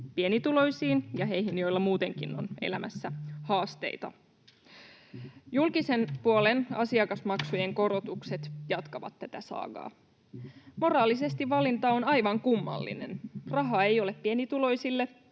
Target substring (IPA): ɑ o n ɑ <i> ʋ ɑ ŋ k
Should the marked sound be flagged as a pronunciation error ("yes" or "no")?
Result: yes